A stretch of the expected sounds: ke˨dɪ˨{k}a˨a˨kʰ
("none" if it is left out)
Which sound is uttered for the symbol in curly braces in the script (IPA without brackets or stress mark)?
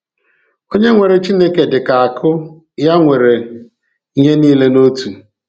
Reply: k